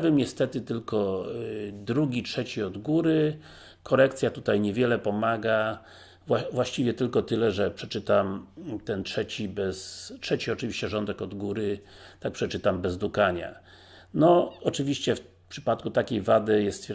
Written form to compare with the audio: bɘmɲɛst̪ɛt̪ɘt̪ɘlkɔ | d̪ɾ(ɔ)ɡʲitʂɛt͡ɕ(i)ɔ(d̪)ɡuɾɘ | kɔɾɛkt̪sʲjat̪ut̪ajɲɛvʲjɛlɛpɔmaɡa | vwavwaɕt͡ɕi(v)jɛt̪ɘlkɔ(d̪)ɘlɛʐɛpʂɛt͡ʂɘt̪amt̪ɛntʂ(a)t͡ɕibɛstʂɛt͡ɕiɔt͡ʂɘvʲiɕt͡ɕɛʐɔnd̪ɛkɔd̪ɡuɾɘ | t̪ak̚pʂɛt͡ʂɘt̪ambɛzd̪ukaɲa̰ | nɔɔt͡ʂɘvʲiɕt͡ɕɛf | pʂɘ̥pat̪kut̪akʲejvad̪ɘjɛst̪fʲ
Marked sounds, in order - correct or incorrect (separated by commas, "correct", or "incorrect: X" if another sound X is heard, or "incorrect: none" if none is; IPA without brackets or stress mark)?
incorrect: u, correct, correct, correct, incorrect: t̪, incorrect: ɛ